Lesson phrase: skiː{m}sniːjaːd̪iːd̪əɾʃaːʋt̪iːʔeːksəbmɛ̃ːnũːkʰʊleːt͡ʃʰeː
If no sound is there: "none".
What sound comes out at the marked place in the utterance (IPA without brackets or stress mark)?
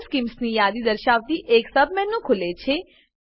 m